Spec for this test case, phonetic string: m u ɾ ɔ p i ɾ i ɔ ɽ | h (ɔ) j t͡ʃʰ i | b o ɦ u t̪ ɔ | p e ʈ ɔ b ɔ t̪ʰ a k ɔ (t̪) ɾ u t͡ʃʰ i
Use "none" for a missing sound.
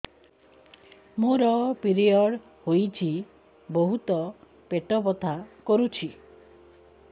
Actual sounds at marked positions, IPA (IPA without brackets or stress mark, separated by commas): o, none